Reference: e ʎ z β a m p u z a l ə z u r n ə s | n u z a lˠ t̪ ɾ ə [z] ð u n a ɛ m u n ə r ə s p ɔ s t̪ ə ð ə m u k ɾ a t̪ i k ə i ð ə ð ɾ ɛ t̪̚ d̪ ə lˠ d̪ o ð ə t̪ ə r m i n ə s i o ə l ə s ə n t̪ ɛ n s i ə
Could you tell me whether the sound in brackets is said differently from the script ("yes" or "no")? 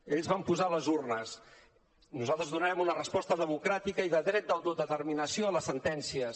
no